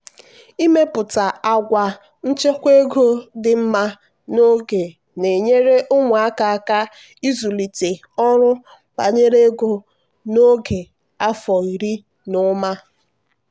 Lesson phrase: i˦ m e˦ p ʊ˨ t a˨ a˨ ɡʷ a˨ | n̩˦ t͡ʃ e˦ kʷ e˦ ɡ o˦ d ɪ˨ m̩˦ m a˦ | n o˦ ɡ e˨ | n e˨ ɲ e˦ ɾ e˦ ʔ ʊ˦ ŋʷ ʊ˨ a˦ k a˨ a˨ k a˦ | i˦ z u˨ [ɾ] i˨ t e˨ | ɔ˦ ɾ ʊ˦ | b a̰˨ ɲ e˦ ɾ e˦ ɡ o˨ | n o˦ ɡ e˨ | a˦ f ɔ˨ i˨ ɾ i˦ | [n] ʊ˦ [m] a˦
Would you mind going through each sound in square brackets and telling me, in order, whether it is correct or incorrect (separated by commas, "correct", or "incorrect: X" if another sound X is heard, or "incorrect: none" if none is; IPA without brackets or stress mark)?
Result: incorrect: l, correct, correct